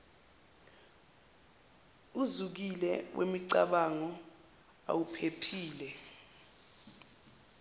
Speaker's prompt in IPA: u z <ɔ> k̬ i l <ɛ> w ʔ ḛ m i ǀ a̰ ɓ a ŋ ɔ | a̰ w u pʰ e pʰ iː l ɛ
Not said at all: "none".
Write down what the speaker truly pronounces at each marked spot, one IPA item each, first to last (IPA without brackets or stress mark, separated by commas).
u, ɛ